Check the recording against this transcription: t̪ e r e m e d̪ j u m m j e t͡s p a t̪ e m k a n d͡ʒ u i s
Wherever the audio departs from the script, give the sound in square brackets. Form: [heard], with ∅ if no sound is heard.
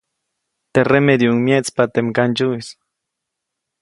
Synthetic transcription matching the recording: t̪ e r e m e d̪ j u [ŋ] m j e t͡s p a t̪ e m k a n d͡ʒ u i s